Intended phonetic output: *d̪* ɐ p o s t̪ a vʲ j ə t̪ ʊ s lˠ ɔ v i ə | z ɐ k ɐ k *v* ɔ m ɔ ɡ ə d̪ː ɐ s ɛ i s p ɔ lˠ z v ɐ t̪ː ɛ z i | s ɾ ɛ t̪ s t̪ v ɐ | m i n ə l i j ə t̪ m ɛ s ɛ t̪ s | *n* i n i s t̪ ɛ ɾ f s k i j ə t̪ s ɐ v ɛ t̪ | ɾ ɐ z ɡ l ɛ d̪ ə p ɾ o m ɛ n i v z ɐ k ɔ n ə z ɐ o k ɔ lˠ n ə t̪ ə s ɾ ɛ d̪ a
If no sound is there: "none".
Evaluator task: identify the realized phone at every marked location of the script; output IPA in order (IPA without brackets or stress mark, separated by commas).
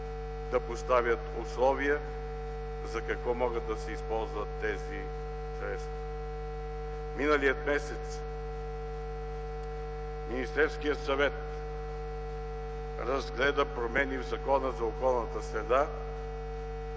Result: d̪, v, m